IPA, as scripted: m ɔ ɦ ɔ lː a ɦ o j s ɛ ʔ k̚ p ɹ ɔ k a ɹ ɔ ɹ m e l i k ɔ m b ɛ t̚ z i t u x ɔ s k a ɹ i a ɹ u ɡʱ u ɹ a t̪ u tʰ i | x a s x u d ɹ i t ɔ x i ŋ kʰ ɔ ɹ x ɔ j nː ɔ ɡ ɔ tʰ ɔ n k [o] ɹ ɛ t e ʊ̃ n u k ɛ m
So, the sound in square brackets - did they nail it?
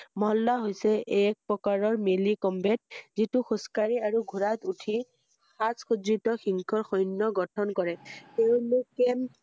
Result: no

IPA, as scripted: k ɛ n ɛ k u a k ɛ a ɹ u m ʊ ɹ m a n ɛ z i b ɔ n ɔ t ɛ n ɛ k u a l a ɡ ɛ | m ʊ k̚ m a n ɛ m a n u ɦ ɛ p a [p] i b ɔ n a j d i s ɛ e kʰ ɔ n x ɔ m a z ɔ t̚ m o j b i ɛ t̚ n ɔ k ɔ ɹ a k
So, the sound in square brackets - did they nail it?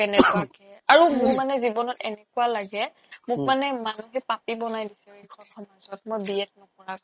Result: yes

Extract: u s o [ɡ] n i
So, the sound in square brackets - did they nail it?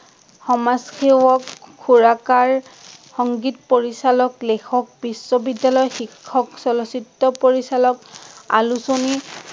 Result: no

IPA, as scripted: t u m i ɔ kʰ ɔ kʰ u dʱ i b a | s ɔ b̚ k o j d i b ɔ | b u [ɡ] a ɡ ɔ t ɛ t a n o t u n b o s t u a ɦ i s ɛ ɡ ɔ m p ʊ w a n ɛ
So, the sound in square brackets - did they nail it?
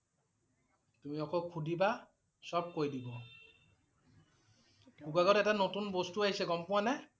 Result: yes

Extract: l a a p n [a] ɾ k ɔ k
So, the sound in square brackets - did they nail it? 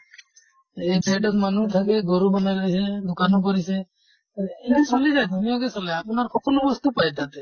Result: yes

